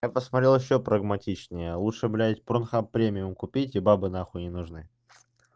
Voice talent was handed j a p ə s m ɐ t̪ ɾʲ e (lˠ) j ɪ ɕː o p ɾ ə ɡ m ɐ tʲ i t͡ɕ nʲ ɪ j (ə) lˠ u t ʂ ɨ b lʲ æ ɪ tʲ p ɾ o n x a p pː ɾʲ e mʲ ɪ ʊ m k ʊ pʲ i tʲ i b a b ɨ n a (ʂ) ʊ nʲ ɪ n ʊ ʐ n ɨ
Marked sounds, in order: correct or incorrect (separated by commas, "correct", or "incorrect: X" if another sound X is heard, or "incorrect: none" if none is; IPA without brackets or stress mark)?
correct, correct, incorrect: x